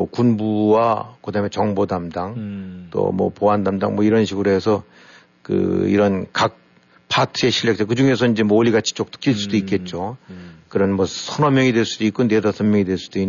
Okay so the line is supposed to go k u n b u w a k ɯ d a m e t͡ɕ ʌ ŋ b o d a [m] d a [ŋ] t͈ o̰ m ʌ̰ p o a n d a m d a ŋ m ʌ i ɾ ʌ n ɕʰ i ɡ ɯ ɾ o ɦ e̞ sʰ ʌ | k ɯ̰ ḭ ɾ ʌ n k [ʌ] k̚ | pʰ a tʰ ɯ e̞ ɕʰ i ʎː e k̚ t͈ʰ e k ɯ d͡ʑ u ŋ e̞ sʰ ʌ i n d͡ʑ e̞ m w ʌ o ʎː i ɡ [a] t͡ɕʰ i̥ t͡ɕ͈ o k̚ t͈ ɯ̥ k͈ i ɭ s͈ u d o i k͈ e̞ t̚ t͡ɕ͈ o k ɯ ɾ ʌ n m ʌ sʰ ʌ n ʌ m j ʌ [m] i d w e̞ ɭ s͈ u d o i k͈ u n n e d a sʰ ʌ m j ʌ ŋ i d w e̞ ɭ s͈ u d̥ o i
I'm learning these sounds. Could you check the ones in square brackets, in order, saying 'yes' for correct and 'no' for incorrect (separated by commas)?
yes, yes, no, yes, no